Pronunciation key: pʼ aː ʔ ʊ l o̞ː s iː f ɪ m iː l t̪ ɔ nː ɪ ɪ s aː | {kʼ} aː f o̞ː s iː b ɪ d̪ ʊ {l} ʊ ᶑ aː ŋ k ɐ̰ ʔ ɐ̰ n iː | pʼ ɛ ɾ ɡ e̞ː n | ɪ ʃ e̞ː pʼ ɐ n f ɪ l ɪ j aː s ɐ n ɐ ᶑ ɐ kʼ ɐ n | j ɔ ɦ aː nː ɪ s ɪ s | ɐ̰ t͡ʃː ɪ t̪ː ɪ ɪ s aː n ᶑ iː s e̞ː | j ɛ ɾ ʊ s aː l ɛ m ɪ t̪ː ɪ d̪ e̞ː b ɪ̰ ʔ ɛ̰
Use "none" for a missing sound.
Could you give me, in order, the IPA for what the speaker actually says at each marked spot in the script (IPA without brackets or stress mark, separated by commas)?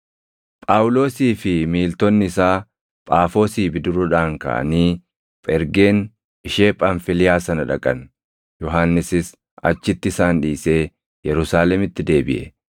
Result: pʼ, ɾ